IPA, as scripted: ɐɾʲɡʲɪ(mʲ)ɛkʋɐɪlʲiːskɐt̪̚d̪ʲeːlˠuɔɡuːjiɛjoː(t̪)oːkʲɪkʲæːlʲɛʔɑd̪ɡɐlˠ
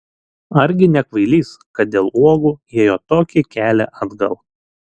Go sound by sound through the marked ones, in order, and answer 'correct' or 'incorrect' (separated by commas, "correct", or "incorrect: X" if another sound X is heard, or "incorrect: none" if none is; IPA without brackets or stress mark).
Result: incorrect: nʲ, correct